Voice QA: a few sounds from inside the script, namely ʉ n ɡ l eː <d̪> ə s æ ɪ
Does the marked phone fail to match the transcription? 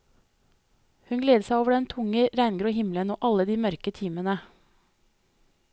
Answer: no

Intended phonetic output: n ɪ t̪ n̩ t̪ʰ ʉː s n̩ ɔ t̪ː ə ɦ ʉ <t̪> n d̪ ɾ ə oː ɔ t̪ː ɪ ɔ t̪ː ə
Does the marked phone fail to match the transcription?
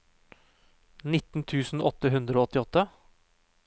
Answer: yes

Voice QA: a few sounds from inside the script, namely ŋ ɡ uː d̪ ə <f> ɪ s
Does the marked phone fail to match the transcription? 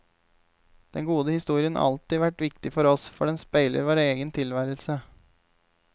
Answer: yes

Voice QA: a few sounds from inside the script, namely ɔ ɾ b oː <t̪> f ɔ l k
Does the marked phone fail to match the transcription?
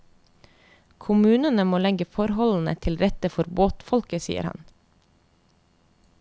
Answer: no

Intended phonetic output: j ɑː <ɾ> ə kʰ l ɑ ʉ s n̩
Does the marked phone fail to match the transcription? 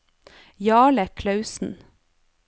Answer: yes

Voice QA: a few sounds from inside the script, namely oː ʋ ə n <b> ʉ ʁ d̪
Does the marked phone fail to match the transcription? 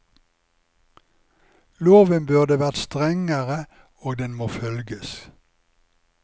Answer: no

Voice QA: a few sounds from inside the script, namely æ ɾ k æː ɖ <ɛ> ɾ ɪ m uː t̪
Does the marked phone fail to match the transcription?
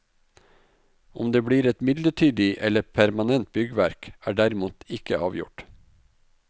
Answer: yes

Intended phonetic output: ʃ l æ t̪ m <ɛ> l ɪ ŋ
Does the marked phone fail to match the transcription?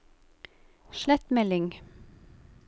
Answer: no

